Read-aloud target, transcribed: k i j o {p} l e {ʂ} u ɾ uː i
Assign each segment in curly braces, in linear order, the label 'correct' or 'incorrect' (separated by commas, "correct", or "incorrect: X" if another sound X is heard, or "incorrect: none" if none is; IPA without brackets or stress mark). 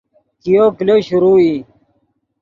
incorrect: k, incorrect: ɕ